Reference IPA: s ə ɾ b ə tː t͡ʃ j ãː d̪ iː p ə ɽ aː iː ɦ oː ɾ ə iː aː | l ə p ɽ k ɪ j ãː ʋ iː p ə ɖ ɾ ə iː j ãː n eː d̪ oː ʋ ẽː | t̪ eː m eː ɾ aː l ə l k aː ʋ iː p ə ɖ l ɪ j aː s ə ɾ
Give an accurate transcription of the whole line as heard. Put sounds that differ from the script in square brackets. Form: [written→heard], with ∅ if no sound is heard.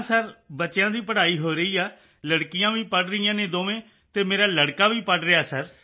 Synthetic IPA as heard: s ə ɾ b ə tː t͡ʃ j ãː d̪ iː p ə ɽ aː iː ɦ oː ɾ ə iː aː | l ə [p→∅] ɽ k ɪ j ãː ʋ iː p ə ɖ ɾ ə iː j ãː n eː d̪ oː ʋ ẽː | t̪ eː m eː ɾ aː l ə [l→ɽ] k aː ʋ iː p ə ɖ [l→ɾ] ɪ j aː s ə ɾ